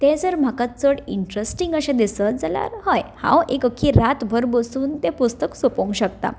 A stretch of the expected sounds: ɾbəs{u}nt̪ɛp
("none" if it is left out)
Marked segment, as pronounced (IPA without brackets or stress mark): uː